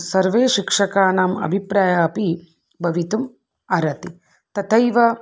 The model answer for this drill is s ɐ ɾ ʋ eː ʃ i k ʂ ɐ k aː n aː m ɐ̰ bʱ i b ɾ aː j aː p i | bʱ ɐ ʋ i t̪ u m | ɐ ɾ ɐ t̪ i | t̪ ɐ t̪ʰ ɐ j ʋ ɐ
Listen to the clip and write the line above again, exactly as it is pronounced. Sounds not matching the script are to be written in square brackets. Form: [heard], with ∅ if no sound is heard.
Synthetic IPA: s ɐ ɾ ʋ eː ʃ i k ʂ ɐ k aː n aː m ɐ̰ bʱ i [p] ɾ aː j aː p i | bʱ ɐ ʋ i t̪ u m | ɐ ɾ ɐ t̪ i | t̪ ɐ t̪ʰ ɐ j ʋ ɐ